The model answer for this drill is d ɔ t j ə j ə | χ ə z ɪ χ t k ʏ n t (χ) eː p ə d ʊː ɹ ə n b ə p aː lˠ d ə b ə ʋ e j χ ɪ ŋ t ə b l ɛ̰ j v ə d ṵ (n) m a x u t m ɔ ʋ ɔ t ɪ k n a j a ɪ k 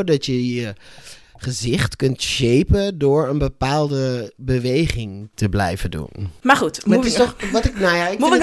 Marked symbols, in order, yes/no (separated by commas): no, yes